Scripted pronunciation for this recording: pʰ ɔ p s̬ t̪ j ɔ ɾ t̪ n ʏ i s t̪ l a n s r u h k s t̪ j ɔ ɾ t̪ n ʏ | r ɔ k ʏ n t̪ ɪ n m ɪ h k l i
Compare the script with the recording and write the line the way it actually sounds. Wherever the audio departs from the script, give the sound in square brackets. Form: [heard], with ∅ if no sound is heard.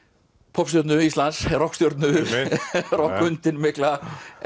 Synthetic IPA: pʰ ɔ p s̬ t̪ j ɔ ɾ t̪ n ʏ i s t̪ l a n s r [ɔ] h k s t̪ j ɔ ɾ t̪ n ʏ | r ɔ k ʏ n t̪ ɪ n m ɪ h k l [a]

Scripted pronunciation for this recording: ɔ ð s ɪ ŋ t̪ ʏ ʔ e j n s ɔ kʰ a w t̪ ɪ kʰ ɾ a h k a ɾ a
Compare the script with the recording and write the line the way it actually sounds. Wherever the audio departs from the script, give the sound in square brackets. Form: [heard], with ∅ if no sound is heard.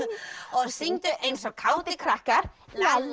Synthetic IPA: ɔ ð s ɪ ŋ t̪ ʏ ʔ e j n s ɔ kʰ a w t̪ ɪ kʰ ɾ a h k a ɾ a

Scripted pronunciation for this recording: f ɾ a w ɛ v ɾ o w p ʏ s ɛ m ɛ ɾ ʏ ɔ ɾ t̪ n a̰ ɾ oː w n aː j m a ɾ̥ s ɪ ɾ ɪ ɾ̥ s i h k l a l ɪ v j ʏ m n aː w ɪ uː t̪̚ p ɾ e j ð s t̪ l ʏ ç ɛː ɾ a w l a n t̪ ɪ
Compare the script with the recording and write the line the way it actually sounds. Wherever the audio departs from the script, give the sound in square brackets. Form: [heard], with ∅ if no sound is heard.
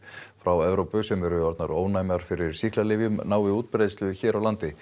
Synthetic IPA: f ɾ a w ɛ v ɾ o w p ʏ s ɛ m ɛ ɾ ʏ ɔ ɾ t̪ n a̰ ɾ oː w n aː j m a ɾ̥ [f] ɪ ɾ ɪ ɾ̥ s i h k l a l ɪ v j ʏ m n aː w ɪ uː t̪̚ p ɾ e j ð s t̪ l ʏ ç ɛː ɾ a w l a n t̪ ɪ

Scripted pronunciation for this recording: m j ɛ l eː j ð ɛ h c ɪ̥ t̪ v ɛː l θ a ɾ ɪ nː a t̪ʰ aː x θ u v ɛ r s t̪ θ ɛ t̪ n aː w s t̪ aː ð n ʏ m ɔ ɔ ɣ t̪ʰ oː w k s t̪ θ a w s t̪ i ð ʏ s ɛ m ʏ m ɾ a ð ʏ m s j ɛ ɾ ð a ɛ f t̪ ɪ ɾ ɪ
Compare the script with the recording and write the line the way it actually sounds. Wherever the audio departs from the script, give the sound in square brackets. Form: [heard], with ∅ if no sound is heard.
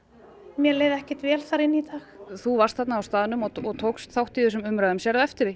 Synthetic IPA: m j ɛ l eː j ð ɛ h c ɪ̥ t̪ v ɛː l θ a ɾ ɪ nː [i] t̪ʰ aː x θ u v [a] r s t̪ θ ɛ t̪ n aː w s t̪ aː ð n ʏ m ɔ ɔ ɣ t̪ʰ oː w k s t̪ θ a w [h] t̪ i ð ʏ s ɛ m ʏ m ɾ a ð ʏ m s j ɛ ɾ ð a ɛ f t̪ ɪ ɾ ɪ

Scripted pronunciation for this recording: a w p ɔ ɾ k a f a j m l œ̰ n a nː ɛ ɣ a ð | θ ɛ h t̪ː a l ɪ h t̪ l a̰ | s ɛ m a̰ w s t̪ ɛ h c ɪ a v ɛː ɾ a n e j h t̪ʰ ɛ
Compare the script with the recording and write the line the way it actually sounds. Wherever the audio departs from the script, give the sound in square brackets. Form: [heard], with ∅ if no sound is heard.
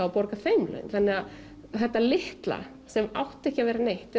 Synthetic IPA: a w p ɔ ɾ k a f [e] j m l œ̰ n a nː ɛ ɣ a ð | θ ɛ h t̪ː a l ɪ h t̪ l a̰ | s ɛ m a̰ w [h] t̪ ɛ h c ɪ a v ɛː ɾ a n e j h [t̪] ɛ

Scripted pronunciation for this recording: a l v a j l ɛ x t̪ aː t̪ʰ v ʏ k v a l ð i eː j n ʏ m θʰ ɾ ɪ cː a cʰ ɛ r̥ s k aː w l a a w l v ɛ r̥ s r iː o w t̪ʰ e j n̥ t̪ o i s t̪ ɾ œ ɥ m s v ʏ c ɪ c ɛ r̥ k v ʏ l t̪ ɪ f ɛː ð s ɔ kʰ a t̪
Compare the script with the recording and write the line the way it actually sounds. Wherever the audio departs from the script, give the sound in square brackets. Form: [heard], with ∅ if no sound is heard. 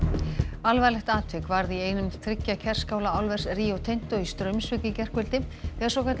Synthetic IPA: a l v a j l ɛ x t̪ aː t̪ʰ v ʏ k v a [ɾ] ð i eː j n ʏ m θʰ ɾ ɪ cː a cʰ ɛ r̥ s k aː w l a a w l v ɛ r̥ s r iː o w t̪ʰ e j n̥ t̪ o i s t̪ ɾ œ ɥ m s v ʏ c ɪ c ɛ r̥ k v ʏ l t̪ ɪ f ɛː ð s ɔ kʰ a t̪

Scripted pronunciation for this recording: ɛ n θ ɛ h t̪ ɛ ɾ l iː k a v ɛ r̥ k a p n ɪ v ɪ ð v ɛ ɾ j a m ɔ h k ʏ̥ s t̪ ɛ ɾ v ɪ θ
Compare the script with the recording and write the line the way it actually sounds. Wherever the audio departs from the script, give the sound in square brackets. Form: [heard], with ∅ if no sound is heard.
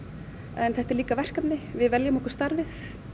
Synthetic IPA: ɛ n θ ɛ h t̪ ɛ ɾ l iː k a v ɛ r̥ k a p n ɪ v ɪ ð v ɛ [l] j a m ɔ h k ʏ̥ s t̪ [a] ɾ v ɪ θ

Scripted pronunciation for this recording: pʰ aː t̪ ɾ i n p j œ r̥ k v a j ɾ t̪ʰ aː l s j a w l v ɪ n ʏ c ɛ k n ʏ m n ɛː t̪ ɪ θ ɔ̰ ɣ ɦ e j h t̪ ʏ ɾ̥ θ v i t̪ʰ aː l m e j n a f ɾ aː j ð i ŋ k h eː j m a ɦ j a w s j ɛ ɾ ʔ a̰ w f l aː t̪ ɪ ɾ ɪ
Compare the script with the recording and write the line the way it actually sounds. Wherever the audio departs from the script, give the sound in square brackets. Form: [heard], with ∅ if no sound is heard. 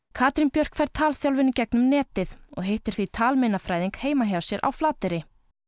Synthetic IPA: [kʰ] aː t̪ ɾ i n p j œ r̥ k [f] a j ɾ t̪ʰ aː l [θ] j a w l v ɪ n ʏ c ɛ k n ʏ m n ɛː t̪ ɪ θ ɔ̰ ɣ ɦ e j h t̪ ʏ ɾ̥ θ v i t̪ʰ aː l m e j n a f ɾ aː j ð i ŋ k h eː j m a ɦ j a w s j ɛ ɾ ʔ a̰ w f l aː t̪ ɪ ɾ ɪ

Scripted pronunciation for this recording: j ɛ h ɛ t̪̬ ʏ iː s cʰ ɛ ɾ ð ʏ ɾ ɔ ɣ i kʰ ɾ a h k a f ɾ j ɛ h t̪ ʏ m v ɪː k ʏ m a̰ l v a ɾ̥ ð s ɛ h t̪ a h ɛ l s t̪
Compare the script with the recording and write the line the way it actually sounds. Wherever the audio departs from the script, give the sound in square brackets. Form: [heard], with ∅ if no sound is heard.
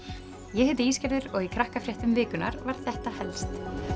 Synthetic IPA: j ɛ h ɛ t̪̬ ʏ iː s [c] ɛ ɾ ð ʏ ɾ ɔ ɣ i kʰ ɾ a h k a f ɾ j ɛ h t̪ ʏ m v ɪː k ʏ [n] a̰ [ɾ] v a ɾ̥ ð [θ] ɛ h t̪ a h ɛ l s t̪

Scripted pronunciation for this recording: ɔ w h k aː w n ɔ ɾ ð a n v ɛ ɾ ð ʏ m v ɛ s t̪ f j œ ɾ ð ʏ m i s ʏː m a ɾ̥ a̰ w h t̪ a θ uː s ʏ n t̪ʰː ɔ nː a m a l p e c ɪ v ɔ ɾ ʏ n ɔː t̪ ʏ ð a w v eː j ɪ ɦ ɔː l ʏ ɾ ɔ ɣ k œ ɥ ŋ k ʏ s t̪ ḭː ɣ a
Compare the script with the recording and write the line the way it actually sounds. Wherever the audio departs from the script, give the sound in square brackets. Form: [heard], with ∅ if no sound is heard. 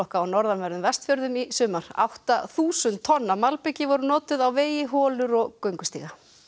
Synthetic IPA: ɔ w h k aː w n ɔ ɾ ð a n v ɛ ɾ ð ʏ m v ɛ s t̪ f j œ ɾ ð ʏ m i s ʏː m a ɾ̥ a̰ w h t̪ a θ uː s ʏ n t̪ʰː ɔ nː a m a l p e c ɪ v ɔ ɾ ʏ n ɔː t̪ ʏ ð a w v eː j ɪ ɦ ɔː l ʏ ɾ ɔ ɣ k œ ɥ ŋ k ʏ s t̪ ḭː ɣ a

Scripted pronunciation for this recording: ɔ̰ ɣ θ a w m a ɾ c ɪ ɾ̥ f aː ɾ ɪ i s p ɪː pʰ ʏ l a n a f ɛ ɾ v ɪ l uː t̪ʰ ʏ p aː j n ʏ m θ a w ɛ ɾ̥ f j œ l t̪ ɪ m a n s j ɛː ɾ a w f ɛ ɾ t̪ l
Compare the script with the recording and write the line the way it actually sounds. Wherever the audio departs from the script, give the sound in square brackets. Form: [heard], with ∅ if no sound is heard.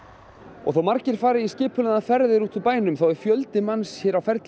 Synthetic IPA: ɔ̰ ɣ θ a w m a ɾ c ɪ ɾ̥ f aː ɾ ɪ i s [c] ɪː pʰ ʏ l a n a f ɛ ɾ [ð] ɪ [ɾ] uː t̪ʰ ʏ p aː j n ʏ m θ a w ɛ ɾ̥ f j œ l t̪ ɪ m a n s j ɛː ɾ a w f ɛ ɾ t̪ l

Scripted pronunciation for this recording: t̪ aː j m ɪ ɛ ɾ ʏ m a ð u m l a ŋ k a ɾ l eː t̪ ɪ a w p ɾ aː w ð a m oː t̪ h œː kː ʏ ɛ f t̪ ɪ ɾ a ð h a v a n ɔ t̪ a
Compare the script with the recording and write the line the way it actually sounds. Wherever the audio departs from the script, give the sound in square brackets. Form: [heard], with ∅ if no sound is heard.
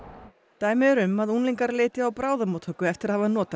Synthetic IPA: t̪ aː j m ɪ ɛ ɾ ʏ m a ð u [n] l [i] ŋ k a ɾ l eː t̪ ɪ a w p ɾ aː w ð a m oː t̪ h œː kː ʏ ɛ f t̪ ɪ ɾ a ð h a v a n [ɔː] t̪ a

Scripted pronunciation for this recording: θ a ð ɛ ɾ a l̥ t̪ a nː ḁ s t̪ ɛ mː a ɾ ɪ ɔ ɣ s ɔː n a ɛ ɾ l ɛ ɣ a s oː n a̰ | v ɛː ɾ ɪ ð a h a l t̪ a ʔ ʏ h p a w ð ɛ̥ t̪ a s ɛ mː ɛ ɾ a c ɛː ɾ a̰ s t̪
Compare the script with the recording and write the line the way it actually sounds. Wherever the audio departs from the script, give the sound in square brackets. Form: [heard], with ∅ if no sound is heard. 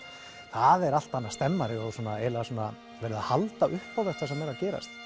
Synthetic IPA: θ a ð ɛ ɾ a l̥ t̪ a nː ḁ s t̪ ɛ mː a ɾ ɪ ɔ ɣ s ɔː n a ɛ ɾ l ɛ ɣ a s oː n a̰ | v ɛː ɾ ɪ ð a h a l t̪ a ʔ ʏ h p a w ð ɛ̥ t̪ a s ɛ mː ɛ ɾ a c ɛː ɾ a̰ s t̪

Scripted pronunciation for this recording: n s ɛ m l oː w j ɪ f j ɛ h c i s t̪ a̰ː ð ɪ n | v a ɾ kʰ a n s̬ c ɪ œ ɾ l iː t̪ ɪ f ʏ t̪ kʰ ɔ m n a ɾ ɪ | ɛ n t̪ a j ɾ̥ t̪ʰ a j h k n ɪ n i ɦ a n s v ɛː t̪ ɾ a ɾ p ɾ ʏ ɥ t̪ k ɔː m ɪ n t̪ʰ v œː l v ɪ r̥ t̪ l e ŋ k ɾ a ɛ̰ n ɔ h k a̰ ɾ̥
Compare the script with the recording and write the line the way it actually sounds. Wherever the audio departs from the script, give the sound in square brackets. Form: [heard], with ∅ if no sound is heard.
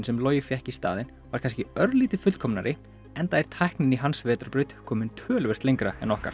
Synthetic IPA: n s ɛ m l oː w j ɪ f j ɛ h c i s t̪ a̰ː ð ɪ n | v a ɾ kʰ a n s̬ c ɪ œ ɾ l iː t̪ ɪ f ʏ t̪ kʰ ɔ m n a ɾ ɪ | ɛ n t̪ a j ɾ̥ t̪ʰ a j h k n ɪ n i ɦ a n s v ɛː t̪ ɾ a ɾ p ɾ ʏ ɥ t̪ [kʰ] ɔː m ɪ n t̪ʰ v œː l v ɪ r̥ t̪ l e ŋ k ɾ a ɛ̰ n ɔ h k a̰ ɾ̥

